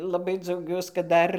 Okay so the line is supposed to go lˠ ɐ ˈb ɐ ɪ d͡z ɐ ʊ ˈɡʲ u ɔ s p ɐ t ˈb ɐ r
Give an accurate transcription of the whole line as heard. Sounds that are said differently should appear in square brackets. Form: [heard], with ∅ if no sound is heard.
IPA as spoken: lˠ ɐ ˈb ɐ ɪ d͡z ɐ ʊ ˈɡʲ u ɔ s [k] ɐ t [ˈd] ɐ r